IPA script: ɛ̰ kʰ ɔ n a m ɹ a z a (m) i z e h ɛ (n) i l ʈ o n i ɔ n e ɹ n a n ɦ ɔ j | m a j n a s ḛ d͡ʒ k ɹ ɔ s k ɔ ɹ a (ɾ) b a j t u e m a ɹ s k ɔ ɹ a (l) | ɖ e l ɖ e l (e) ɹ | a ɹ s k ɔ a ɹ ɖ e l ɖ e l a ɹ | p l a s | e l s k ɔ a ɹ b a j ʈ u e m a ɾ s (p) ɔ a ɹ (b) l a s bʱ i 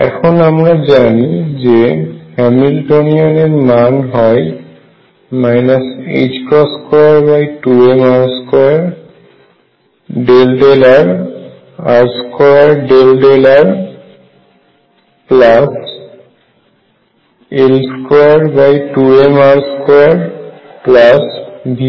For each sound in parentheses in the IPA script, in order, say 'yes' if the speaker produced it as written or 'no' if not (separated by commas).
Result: no, no, no, no, no, no, no